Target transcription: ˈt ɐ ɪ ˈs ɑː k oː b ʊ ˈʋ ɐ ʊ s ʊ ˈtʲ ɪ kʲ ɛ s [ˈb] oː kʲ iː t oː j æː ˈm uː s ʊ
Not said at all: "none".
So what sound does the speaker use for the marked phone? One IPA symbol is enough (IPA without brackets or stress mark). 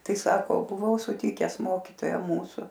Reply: m